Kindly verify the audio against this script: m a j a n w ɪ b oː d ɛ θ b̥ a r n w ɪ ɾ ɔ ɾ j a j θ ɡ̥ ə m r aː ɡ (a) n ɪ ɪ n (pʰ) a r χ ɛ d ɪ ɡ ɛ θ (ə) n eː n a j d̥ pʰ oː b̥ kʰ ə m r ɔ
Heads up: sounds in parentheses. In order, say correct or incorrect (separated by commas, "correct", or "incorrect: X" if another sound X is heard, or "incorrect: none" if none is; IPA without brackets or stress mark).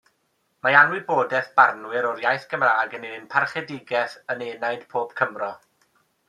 incorrect: ə, correct, correct